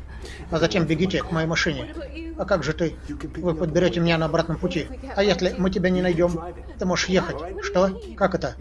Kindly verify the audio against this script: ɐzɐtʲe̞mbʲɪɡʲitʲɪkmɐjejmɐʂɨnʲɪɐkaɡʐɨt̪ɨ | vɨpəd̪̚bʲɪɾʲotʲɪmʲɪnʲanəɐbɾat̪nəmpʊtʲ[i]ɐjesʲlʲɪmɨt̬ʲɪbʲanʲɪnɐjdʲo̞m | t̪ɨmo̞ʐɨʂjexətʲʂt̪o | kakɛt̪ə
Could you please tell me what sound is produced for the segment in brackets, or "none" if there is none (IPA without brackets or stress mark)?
i